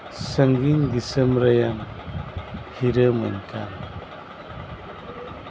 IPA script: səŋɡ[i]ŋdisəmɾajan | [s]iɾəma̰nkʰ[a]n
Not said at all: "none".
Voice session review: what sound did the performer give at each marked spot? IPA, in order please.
i, h, a

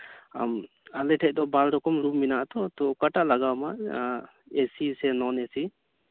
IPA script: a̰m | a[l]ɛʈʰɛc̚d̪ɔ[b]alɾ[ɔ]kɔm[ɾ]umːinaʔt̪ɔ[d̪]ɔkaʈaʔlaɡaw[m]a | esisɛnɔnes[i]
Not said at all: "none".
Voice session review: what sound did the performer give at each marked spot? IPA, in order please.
l, b, ɔ, ɾ, t̪, m, i

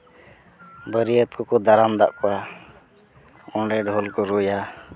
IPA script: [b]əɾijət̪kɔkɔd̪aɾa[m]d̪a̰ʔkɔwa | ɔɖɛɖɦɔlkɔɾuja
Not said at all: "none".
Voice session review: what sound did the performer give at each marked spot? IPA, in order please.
b, m

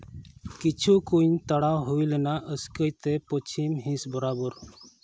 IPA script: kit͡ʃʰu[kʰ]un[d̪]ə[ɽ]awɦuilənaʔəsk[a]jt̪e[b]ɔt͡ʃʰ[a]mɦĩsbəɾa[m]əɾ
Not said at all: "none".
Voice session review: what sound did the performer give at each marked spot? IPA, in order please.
k, t̪, ɽ, ə, p, i, b

